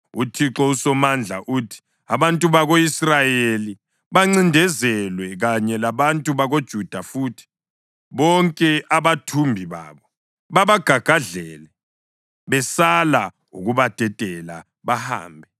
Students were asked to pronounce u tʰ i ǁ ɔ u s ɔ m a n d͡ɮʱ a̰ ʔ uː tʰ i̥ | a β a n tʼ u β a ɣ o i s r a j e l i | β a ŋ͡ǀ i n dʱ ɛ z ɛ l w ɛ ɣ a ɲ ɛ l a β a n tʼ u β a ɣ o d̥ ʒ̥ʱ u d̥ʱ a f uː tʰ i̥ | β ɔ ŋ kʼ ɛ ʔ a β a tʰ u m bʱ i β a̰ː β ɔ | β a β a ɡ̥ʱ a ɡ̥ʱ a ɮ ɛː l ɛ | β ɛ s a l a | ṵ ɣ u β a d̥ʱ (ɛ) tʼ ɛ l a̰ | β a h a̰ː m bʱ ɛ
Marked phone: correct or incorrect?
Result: correct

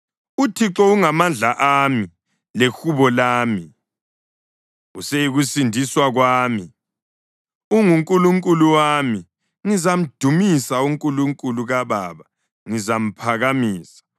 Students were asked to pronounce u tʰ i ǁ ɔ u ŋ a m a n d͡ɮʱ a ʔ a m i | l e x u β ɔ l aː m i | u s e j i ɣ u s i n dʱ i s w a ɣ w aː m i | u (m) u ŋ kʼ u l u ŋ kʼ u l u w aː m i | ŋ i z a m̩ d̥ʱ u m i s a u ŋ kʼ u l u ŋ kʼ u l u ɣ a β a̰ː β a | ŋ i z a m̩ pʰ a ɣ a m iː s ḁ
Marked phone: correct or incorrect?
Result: incorrect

